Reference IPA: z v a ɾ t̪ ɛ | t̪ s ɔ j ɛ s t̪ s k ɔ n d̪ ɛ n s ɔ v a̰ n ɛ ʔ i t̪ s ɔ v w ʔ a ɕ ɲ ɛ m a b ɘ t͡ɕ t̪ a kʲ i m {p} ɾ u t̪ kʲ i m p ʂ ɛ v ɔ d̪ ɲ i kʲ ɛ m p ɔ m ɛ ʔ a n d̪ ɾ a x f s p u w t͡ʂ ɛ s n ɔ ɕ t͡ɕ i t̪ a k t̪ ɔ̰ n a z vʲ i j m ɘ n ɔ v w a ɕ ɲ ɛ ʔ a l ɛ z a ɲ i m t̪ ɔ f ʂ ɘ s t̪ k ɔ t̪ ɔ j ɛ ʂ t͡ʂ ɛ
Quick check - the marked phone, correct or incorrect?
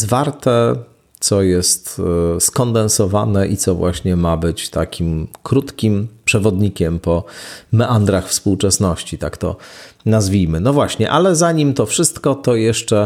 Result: incorrect